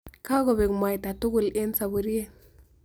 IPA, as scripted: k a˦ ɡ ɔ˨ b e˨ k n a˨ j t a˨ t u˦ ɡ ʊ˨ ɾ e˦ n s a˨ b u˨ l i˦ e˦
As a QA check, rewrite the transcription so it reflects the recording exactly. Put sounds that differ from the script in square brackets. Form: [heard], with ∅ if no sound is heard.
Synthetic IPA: k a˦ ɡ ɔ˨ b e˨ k [m] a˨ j t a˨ t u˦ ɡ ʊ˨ [l] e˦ n s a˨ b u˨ [ɾ] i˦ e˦